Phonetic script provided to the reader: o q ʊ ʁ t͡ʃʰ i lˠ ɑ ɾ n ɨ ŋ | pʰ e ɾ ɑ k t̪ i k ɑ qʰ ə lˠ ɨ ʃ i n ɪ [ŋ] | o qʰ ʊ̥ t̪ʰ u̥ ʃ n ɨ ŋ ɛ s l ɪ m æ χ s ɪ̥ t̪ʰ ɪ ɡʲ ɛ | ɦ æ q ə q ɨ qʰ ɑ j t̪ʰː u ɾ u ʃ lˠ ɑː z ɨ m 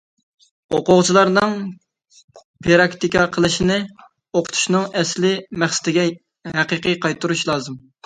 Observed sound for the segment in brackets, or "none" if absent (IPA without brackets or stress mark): none